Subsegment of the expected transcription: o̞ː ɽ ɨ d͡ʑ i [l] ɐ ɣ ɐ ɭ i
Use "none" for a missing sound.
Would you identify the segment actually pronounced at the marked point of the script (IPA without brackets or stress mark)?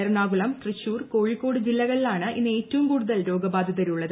lː